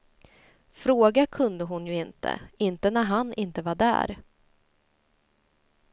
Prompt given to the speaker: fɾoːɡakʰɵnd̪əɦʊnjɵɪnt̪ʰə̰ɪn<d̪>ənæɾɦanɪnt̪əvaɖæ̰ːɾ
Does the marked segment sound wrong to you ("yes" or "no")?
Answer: yes